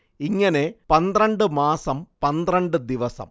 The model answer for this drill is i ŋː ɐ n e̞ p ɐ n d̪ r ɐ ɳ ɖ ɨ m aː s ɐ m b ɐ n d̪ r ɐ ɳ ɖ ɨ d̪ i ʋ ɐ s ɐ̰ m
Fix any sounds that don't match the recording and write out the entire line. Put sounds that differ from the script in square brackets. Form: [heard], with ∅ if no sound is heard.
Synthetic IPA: i ŋː ɐ n e̞ p ɐ n d̪ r ɐ ɳ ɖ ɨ m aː s ɐ m [p] ɐ n d̪ r ɐ ɳ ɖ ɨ d̪ i ʋ ɐ s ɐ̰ m